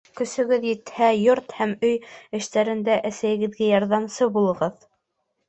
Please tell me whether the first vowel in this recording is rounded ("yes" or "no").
yes